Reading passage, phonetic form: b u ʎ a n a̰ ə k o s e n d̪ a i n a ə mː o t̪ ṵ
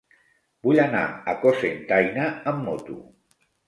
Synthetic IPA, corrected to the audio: b u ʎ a n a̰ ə k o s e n t̪ a j n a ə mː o t̪ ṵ